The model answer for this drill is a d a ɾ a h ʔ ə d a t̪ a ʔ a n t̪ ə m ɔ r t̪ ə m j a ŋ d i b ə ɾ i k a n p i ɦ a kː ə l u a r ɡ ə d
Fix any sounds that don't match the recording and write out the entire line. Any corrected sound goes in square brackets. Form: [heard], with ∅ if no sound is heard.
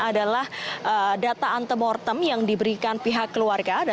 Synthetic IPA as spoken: a d a [l] a h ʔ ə d a t̪ a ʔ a n t̪ ə m ɔ r t̪ ə m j a ŋ d i b ə ɾ i k a n p i ɦ a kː ə l u a r ɡ [a] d